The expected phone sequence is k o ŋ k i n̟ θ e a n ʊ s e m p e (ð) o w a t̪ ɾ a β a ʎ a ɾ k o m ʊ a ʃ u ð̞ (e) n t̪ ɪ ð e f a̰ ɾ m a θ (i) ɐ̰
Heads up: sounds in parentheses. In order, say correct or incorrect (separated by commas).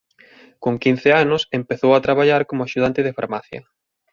incorrect, incorrect, incorrect